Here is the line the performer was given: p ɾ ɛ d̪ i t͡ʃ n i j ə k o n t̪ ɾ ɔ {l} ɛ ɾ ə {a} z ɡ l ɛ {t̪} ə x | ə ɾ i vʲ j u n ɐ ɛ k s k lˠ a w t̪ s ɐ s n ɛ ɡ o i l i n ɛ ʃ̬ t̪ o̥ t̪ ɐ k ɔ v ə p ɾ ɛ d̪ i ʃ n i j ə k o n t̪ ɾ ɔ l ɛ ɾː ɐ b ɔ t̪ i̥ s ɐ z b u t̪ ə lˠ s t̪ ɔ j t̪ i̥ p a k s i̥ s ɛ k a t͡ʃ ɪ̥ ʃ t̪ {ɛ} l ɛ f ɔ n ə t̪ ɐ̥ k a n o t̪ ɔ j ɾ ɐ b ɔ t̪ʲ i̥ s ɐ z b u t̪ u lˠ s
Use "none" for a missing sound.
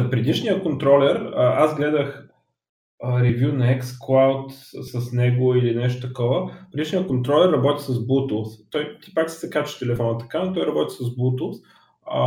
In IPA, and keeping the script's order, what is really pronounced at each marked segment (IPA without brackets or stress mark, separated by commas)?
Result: l, a, d̪, ɛ